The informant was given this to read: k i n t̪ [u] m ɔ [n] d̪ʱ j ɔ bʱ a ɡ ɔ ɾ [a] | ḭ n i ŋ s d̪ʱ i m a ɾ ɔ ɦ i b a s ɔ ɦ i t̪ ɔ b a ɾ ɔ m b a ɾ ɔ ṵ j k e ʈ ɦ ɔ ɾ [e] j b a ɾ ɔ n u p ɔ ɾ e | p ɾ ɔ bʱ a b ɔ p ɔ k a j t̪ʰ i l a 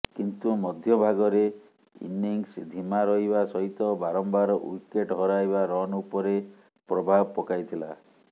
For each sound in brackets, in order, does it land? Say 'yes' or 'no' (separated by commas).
yes, no, no, no